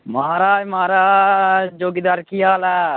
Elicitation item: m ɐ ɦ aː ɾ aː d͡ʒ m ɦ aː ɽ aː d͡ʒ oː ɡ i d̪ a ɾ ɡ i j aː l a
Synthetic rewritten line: m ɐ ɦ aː ɾ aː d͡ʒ m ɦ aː ɾ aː d͡ʒ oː ɡ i d̪ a ɾ k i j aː l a